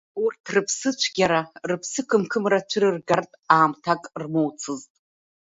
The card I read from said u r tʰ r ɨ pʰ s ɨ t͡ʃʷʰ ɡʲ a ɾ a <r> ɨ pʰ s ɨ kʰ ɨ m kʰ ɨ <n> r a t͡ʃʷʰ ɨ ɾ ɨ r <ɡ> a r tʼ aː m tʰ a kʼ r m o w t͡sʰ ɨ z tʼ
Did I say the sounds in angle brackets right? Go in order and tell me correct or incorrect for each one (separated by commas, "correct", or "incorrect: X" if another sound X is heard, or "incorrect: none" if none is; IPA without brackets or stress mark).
correct, incorrect: m, correct